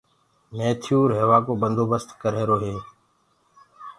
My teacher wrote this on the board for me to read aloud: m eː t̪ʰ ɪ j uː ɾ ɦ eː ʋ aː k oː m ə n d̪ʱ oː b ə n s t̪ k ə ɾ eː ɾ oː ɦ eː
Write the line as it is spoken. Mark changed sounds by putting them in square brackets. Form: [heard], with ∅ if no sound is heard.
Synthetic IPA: m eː t̪ʰ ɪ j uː ɾ ɦ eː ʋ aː k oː [b] ə n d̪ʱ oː b ə [∅] s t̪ k ə ɾ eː ɾ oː ɦ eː